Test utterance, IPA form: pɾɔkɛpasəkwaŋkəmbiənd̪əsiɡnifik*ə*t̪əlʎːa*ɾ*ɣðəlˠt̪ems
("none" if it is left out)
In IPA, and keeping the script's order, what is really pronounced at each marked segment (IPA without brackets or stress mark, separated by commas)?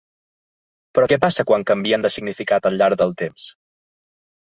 a, ɾ